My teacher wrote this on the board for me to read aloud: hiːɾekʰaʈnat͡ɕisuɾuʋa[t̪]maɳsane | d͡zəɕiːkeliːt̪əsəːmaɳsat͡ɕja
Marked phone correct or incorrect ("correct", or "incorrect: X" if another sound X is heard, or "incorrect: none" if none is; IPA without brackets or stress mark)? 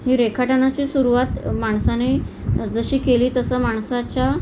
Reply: correct